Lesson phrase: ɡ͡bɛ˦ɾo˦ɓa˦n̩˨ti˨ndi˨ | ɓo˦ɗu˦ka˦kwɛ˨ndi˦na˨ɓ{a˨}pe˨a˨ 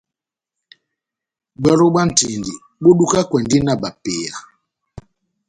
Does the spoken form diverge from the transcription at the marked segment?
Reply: no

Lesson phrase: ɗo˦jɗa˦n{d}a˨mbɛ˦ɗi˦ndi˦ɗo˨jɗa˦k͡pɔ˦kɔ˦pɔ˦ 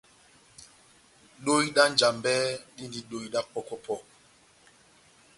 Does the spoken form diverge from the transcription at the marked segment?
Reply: yes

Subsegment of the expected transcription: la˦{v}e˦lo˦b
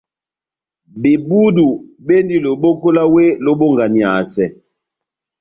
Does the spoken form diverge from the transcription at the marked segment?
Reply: yes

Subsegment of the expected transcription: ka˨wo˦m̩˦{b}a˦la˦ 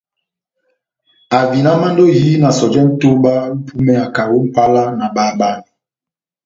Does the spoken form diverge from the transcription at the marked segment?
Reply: yes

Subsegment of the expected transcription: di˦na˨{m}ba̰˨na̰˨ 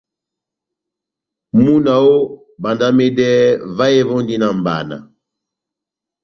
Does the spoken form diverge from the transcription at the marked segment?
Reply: no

